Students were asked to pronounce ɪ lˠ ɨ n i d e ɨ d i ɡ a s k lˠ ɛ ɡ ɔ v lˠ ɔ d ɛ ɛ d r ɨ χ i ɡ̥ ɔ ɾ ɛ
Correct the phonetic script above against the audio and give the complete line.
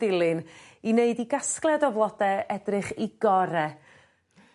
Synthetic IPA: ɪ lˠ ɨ n i n e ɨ d i ɡ a s k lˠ ɛ d ɔ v lˠ ɔ d ɛ ɛ d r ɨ χ i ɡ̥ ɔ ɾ ɛ